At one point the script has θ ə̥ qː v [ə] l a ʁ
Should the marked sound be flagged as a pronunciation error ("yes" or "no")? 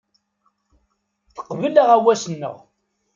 no